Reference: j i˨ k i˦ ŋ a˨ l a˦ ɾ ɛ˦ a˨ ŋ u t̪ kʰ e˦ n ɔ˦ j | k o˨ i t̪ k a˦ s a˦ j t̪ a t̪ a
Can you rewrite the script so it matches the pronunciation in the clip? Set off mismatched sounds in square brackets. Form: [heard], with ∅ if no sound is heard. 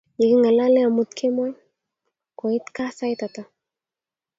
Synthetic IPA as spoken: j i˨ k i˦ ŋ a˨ l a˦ [l] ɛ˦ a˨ [m] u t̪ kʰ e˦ [m] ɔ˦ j | k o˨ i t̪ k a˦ s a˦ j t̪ a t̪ a